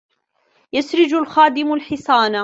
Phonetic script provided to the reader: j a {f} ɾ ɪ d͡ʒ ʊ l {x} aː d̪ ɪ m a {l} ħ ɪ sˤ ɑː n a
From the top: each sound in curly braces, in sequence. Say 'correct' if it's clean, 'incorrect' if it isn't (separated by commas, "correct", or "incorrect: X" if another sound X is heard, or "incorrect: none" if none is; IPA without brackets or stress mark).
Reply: incorrect: s, correct, correct